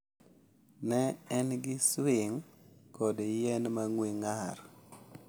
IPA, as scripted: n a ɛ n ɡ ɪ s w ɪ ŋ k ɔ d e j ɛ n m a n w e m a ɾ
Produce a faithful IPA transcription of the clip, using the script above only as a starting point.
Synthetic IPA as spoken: n ɛ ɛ n ɡ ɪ s w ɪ ŋ k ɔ d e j ɛ n m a ŋ w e ŋ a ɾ